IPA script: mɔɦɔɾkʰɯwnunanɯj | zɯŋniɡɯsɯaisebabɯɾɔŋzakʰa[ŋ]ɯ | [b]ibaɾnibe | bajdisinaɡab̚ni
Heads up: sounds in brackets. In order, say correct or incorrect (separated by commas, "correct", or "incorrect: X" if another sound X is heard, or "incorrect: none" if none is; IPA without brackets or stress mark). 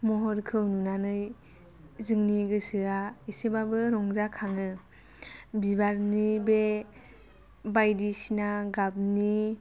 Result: correct, correct